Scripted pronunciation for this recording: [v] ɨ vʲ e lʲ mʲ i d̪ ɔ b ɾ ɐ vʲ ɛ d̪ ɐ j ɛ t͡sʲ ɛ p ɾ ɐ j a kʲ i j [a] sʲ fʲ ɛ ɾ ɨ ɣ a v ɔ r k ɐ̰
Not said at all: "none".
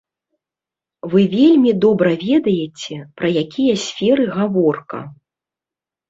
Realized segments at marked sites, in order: v, ɐ

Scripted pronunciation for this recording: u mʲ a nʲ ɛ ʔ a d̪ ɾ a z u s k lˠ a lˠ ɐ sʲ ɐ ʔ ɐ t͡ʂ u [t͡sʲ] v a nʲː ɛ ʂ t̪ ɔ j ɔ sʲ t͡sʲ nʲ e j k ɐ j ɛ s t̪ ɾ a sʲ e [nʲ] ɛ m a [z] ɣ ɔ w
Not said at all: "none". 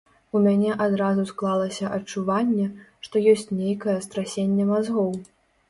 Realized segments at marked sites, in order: none, nʲː, z

